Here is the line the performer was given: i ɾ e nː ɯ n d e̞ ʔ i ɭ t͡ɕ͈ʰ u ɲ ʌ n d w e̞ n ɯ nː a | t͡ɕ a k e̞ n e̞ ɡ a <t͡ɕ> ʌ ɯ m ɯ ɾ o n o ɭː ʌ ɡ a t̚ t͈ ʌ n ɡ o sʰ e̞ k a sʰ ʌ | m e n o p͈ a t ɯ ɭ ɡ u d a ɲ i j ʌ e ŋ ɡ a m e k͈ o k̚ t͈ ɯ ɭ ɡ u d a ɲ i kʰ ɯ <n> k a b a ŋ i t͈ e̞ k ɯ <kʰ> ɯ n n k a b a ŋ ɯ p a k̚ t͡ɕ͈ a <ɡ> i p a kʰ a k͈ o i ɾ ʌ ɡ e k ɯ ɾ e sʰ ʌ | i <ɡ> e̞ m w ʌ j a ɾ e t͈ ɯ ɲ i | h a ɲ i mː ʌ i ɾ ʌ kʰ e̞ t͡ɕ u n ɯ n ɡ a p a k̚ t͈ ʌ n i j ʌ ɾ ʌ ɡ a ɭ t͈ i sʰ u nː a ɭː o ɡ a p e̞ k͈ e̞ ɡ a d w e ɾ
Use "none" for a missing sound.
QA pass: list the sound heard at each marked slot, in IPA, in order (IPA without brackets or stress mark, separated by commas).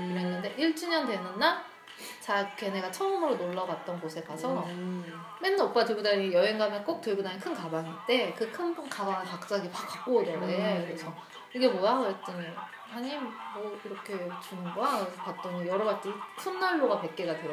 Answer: t͡ɕʰ, n, kʰ, ɡ, ɡ